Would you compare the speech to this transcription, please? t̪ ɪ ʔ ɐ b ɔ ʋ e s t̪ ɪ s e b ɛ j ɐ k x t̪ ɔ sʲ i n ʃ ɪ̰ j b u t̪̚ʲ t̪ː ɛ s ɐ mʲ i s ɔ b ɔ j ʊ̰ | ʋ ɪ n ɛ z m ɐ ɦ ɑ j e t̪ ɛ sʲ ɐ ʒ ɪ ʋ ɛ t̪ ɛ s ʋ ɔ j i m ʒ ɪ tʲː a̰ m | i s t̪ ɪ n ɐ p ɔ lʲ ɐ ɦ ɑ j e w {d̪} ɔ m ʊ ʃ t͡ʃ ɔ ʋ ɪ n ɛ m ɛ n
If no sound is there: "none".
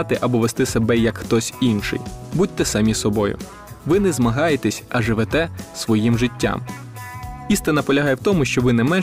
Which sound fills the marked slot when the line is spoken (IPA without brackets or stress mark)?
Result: t̪